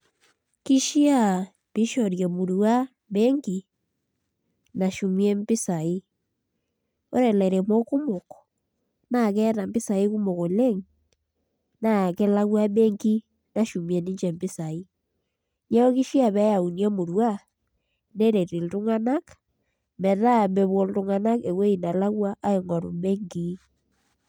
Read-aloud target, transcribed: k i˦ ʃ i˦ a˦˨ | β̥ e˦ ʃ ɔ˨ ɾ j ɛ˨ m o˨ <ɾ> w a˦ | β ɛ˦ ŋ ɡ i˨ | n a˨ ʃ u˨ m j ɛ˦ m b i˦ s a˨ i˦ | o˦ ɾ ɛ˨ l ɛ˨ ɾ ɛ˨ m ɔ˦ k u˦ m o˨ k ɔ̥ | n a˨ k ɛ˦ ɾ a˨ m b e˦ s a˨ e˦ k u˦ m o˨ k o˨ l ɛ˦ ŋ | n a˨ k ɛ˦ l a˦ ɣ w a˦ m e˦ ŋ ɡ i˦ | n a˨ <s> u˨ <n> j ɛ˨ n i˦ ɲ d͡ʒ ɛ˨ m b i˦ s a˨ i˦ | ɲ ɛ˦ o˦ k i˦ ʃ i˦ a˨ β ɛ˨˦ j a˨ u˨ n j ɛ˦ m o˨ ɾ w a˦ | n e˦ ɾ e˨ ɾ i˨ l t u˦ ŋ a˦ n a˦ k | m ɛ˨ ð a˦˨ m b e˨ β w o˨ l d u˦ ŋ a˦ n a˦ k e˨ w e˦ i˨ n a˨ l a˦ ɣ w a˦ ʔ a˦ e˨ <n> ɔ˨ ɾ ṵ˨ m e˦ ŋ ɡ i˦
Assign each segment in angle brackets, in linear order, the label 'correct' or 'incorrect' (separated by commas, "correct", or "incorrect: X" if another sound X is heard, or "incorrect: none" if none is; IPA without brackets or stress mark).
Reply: correct, incorrect: ʃ, incorrect: m, incorrect: ŋ